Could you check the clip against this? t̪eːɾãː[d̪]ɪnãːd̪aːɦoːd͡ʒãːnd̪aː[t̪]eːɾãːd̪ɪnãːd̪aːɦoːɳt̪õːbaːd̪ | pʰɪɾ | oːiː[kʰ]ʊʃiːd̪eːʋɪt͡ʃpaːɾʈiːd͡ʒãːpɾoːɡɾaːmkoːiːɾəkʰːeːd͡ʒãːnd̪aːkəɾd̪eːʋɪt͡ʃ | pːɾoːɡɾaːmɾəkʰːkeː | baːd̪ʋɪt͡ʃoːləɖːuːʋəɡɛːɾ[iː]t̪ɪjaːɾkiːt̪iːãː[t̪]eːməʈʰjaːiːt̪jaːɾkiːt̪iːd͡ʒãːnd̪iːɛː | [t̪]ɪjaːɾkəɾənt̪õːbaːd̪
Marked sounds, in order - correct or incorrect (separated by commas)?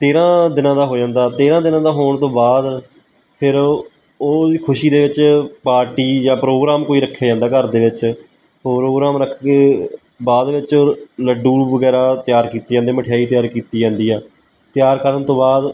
correct, correct, correct, incorrect, incorrect, correct